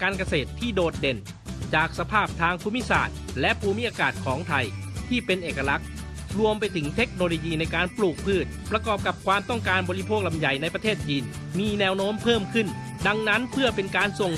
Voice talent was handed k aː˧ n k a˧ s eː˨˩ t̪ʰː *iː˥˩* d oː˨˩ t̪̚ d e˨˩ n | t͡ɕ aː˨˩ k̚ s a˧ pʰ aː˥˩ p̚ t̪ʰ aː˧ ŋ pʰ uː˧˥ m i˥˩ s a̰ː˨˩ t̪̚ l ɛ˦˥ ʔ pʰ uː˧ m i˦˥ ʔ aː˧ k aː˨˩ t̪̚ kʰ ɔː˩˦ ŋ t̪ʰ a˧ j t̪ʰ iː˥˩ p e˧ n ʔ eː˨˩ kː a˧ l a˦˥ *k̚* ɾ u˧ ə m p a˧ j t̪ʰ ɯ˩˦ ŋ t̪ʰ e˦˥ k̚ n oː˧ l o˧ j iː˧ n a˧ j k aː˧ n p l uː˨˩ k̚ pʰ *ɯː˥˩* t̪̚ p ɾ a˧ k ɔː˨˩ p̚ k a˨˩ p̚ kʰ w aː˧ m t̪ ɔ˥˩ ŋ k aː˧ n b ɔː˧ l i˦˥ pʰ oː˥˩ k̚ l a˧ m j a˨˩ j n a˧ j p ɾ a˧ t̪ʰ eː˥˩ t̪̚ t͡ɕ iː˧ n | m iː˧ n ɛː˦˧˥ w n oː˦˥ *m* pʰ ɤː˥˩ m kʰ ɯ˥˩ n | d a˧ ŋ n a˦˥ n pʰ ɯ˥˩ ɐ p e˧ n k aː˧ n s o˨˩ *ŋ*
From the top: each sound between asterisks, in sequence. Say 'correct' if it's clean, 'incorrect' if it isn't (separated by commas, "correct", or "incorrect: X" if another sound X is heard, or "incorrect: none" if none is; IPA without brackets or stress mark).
correct, correct, correct, correct, correct